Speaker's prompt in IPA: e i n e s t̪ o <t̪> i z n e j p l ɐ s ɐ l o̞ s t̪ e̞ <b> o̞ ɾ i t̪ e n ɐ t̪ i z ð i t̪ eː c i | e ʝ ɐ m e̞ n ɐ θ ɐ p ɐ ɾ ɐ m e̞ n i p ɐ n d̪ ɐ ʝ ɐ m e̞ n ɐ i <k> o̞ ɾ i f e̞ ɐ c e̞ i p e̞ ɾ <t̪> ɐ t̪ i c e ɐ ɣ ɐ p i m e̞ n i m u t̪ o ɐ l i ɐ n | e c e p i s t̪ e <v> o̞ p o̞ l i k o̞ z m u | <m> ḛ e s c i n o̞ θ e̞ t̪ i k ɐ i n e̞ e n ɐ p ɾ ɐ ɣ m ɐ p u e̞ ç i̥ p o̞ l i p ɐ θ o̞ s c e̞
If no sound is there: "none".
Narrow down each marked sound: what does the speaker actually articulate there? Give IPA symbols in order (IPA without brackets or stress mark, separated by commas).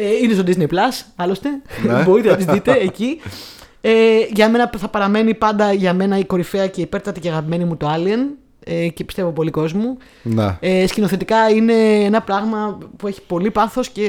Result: d̪, b, k, t̪, v, n